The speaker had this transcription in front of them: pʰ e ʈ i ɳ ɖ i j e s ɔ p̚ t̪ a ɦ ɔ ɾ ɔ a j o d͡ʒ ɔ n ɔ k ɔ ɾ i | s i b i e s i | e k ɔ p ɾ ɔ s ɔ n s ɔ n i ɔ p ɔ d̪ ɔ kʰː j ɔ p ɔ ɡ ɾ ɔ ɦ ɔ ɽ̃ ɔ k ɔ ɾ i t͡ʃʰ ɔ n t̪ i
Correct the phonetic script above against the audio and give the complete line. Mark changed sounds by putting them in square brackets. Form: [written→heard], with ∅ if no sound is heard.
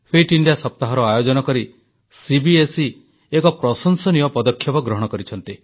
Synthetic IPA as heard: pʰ e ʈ i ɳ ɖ i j [e→a] s ɔ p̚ t̪ a ɦ ɔ ɾ ɔ a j o d͡ʒ ɔ n ɔ k ɔ ɾ i | s i b i e s i | e k ɔ p ɾ ɔ s ɔ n s ɔ n i ɔ p ɔ d̪ ɔ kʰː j ɔ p ɔ ɡ ɾ ɔ ɦ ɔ ɽ̃ ɔ k ɔ ɾ i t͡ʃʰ ɔ n t̪ i